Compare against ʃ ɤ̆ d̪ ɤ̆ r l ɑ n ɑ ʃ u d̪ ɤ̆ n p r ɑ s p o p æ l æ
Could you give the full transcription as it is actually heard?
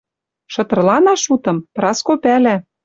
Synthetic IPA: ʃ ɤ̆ t̪ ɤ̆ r l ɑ n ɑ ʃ u t̪ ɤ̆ m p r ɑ s k o p æ l æ